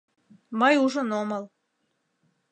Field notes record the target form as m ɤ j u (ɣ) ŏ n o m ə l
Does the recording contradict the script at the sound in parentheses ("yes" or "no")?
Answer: yes